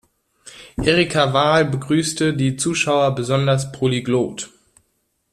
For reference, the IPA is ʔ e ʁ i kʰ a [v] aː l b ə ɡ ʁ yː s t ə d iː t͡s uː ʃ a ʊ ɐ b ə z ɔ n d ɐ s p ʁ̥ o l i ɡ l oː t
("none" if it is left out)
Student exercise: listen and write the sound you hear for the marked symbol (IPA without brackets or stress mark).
v